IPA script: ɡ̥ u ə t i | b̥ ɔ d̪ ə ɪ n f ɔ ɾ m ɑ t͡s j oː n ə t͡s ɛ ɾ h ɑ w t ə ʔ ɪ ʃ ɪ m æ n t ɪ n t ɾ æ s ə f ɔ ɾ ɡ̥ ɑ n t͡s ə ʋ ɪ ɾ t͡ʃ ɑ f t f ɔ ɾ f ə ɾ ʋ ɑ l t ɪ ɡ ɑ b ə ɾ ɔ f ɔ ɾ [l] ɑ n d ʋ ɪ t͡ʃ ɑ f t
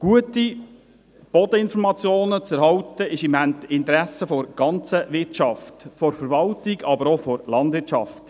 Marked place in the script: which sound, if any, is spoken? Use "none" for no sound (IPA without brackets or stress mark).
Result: l